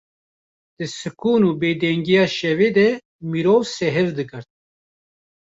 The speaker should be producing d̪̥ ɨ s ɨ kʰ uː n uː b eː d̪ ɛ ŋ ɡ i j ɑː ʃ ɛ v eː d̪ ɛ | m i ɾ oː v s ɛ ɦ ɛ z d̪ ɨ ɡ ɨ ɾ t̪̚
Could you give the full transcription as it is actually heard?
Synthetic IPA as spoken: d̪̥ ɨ s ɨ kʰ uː n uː b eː d̪ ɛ ŋ ɡ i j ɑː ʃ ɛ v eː d̪ ɛ | m i ɾ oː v s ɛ ɦ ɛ v d̪ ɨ ɡ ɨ ɾ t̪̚